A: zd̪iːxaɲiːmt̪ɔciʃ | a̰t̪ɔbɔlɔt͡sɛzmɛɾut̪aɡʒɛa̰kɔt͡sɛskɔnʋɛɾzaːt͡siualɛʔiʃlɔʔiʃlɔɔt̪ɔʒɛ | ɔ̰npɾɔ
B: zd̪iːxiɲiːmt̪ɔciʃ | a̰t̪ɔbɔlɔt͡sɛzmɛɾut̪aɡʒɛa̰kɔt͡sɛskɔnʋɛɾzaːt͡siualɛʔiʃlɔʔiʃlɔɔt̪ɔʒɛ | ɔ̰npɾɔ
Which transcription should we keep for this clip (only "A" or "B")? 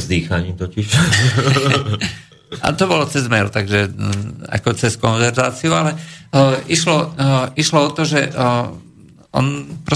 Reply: A